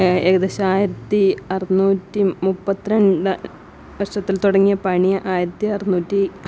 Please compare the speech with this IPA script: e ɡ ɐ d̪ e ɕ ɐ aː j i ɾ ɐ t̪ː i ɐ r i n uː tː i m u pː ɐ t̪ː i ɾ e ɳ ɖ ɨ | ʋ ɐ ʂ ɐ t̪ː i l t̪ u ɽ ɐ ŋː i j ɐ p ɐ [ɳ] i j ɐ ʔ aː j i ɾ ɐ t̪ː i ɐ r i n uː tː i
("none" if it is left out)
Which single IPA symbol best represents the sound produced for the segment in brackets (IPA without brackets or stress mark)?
ɳ